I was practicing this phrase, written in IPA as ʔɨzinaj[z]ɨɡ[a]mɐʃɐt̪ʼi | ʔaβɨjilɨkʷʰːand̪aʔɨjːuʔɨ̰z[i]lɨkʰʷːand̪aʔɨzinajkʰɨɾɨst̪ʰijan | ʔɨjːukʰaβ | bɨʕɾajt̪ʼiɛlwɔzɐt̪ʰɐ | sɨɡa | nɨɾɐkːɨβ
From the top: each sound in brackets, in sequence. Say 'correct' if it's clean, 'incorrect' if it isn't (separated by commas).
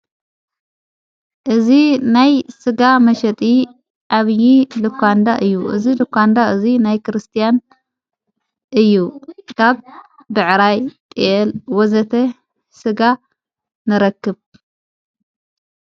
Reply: incorrect, correct, correct